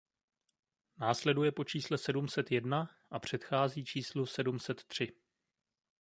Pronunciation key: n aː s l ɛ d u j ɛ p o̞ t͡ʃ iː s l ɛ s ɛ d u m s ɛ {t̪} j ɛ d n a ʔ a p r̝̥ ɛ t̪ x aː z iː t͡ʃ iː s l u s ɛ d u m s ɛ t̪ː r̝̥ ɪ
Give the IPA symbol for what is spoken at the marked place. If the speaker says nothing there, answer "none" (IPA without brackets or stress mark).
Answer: t̪